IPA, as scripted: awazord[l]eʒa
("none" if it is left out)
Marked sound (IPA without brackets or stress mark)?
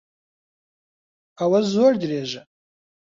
r